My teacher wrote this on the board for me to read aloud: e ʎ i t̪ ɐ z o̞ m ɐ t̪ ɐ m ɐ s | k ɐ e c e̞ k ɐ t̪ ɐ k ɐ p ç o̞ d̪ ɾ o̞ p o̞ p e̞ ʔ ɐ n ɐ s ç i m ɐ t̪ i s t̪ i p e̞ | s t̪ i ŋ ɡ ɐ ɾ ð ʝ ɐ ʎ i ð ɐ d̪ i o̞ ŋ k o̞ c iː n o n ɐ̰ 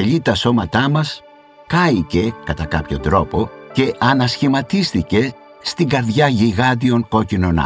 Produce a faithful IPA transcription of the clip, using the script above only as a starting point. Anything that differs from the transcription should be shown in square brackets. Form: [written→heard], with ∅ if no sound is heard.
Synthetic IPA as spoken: e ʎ i t̪ ɐ [z→s] o̞ m ɐ t̪ ɐ m ɐ s | k ɐ [e→i] c e̞ k ɐ t̪ ɐ k ɐ p ç o̞ d̪ ɾ o̞ p o̞ [p→c] e̞ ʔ ɐ n ɐ s ç i m ɐ t̪ i s t̪ i [p→c] e̞ | s t̪ i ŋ ɡ ɐ ɾ ð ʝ ɐ [ʎ→ʝ] i [ð→ɣ] ɐ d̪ i o̞ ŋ k o̞ c [iː→i] n o n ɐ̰